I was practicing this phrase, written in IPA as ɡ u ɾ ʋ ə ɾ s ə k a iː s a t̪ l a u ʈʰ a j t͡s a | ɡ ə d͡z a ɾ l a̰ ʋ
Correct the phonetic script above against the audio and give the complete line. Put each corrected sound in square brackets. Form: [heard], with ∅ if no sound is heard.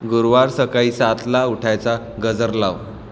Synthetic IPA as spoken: ɡ u ɾ ʋ [a] ɾ s ə k a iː s a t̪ l a u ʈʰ a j t͡s a | ɡ ə d͡z [ə] ɾ l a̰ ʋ

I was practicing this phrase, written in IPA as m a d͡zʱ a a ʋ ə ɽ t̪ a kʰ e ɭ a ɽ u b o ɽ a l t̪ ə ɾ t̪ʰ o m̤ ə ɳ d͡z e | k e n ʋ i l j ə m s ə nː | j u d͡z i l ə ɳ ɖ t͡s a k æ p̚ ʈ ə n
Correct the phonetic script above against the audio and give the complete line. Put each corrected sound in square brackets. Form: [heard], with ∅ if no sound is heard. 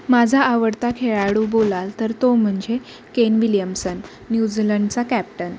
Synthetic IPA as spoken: m a d͡zʱ a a ʋ ə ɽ t̪ a kʰ e ɭ a ɽ u b o [l] a l t̪ ə ɾ [t̪] o m̤ ə ɳ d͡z e | k e n ʋ i l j ə m s ə nː | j u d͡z i l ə ɳ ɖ t͡s a k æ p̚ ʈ ə n

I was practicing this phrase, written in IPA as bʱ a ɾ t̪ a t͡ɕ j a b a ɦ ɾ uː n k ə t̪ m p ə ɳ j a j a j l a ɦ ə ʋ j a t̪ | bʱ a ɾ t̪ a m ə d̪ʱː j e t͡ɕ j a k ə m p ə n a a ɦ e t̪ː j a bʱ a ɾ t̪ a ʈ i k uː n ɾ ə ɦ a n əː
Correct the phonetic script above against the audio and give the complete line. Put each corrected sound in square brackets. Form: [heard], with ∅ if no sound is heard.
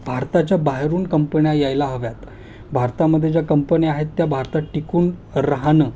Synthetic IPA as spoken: bʱ a ɾ t̪ a t͡ɕ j a b a ɦ ɾ uː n k ə [∅] m p ə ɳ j a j a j l a ɦ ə ʋ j a t̪ | bʱ a ɾ t̪ a m ə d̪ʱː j e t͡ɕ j a k ə m p ə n [i] a ɦ e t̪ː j a bʱ a ɾ t̪ a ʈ i k uː n ɾ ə ɦ a n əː

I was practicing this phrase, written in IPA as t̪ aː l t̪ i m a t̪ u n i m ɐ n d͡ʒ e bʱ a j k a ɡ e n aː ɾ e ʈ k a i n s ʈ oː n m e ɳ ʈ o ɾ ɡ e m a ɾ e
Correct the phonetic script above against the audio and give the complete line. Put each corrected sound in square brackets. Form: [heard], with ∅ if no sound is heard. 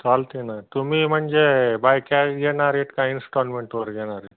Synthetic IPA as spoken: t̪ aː l t̪ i [n] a t̪ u [m] i m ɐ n d͡ʒ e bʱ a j k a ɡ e n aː ɾ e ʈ k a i n s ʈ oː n m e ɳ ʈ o ɾ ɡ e [n] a ɾ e

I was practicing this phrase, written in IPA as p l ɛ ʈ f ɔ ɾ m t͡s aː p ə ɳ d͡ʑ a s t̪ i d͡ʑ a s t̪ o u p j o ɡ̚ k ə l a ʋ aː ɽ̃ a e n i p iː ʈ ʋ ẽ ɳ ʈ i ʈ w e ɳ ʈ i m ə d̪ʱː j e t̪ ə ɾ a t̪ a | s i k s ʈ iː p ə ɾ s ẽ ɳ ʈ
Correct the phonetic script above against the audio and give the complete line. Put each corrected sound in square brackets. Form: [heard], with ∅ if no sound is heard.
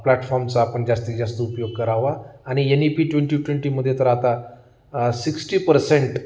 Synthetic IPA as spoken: p l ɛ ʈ f ɔ ɾ m t͡s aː p ə ɳ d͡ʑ a s t̪ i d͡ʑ a s t̪ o u p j o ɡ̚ k ə [ɾ] a ʋ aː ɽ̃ [i] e n i p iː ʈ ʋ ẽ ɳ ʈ i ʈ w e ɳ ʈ i m ə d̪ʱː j e t̪ ə ɾ a t̪ a | s i k s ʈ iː p ə ɾ s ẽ ɳ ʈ

